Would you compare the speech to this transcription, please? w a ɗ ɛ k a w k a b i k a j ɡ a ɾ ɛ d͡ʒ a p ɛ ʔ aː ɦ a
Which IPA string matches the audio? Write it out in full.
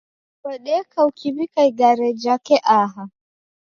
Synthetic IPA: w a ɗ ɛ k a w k i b i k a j ɡ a ɾ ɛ d͡ʒ a k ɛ ʔ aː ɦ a